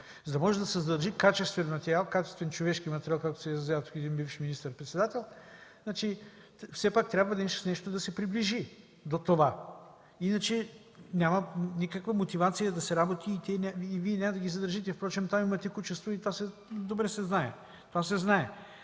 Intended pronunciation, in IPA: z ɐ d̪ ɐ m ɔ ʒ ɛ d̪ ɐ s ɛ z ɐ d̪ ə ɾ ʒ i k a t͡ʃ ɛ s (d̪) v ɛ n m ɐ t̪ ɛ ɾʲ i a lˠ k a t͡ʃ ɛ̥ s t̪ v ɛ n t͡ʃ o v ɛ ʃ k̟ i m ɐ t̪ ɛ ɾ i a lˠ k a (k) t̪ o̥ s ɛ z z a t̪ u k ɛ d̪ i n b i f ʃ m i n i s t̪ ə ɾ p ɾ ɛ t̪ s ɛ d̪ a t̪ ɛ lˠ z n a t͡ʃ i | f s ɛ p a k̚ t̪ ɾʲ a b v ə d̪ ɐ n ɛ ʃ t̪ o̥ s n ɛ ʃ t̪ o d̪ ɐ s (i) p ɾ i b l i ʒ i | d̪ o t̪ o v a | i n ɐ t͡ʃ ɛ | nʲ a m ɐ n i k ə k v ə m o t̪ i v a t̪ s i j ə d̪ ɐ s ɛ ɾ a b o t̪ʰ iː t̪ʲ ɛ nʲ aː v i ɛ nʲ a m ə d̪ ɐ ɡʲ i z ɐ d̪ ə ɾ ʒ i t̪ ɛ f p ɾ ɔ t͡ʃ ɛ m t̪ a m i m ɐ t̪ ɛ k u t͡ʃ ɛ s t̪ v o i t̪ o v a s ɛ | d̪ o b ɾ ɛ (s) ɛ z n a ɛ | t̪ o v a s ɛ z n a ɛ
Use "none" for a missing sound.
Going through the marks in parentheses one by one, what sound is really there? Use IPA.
t̪, k, ɛ, s

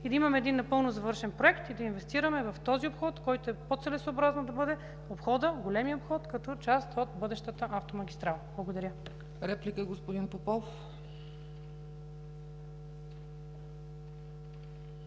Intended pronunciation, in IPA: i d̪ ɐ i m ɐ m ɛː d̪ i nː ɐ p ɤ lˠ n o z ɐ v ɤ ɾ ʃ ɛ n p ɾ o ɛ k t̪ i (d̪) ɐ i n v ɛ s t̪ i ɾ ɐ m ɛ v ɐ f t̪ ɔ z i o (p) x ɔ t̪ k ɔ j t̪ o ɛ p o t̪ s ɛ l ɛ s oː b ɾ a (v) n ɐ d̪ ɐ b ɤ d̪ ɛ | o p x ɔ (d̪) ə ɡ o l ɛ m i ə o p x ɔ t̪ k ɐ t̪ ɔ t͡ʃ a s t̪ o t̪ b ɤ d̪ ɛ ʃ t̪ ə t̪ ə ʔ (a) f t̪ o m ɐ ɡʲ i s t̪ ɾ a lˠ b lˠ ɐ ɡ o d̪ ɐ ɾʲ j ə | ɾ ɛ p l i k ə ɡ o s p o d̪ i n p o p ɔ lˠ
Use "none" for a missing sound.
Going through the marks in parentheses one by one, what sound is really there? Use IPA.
d̪, p, z, d̪, a

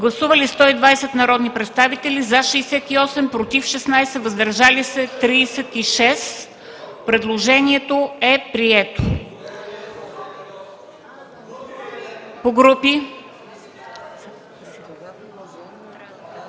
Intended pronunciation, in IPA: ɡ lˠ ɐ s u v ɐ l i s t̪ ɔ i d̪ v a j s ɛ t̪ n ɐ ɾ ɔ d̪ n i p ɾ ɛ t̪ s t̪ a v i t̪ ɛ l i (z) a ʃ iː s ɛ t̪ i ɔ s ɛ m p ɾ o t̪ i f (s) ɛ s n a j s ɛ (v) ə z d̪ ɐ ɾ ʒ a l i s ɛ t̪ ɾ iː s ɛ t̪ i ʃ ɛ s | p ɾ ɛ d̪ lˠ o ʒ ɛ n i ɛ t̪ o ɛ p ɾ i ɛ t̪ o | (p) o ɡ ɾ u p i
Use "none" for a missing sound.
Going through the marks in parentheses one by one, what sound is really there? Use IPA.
z, ʃ, v, p

